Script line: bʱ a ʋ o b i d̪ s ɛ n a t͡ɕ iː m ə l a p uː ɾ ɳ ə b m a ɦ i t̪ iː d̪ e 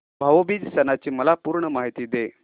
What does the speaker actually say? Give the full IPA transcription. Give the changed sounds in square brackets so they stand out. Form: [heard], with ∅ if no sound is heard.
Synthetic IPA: bʱ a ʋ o b i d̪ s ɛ n a t͡ɕ iː m ə l a p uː ɾ ɳ ə [∅] m a ɦ i t̪ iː d̪ e

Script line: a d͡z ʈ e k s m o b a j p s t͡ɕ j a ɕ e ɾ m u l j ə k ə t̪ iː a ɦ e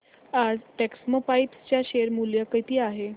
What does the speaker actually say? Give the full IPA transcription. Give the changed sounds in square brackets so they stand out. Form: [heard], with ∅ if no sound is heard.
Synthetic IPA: a d͡z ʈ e k s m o [p] a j p s t͡ɕ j a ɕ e ɾ m u l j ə k ə t̪ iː a ɦ e

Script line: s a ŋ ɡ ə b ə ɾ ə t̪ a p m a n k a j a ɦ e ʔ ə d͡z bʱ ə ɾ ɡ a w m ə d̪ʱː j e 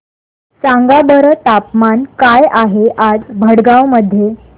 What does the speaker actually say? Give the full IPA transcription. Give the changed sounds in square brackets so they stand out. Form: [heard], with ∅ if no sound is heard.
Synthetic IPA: s a ŋ ɡ [a] b ə ɾ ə t̪ a p m a n k a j a ɦ e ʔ [a] d͡z bʱ ə [ɽ] ɡ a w m ə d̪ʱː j e

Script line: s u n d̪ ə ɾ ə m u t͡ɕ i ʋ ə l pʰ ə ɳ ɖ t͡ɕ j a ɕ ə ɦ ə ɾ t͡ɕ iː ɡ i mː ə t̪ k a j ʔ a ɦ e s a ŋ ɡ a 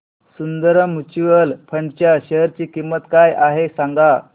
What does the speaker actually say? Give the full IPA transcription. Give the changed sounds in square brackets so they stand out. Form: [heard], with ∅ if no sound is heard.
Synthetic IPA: s u n d̪ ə ɾ ə m u t͡ɕ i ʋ ə l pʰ ə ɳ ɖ t͡ɕ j a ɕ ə ɦ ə ɾ t͡ɕ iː [k] i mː ə t̪ k a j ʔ a ɦ e s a ŋ ɡ a

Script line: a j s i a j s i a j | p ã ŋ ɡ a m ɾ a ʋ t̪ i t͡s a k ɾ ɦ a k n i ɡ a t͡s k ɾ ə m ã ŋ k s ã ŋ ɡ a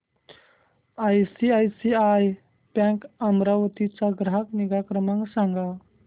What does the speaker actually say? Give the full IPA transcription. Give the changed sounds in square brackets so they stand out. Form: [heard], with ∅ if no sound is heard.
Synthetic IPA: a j s i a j s i a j | p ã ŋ [k] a m ɾ a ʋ t̪ i t͡s a [ɡ] ɾ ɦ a k n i ɡ a [∅] k ɾ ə m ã ŋ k s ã ŋ ɡ a

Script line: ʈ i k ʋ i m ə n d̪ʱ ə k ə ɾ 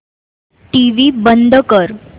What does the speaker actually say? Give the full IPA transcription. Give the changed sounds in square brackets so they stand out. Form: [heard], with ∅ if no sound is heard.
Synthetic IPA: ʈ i [∅] ʋ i [b] ə n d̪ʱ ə k ə ɾ

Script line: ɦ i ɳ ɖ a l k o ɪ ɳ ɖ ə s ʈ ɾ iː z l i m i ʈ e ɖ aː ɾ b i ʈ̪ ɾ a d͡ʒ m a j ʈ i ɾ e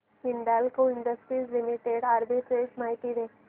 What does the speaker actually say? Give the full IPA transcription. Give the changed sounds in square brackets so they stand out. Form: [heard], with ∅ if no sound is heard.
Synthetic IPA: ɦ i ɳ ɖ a l k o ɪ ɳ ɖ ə s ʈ ɾ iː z l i m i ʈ e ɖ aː ɾ b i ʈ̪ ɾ [e] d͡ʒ m a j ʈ i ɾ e

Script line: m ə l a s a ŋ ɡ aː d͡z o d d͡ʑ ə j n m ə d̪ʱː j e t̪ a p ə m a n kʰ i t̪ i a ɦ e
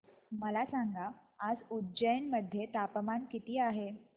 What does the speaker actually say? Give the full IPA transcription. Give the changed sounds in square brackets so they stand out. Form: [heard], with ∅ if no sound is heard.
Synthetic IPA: m ə l a s a ŋ ɡ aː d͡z [u] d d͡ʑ ə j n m ə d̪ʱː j e t̪ a p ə m a n [k] i t̪ [iː] a ɦ e

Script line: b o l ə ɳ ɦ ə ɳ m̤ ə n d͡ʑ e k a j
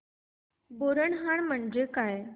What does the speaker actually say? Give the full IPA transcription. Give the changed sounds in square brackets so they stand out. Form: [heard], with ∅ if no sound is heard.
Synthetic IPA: b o [ɾ] ə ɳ ɦ [a] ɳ m̤ ə [ɳ] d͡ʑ e k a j

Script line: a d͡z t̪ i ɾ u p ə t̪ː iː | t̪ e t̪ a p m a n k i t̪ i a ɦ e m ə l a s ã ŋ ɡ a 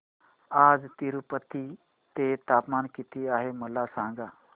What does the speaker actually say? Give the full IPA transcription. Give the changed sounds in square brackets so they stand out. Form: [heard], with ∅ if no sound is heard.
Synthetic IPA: a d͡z t̪ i ɾ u p ə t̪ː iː | t̪ e t̪ a p m a n k i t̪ i a ɦ e m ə l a s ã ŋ ɡ a

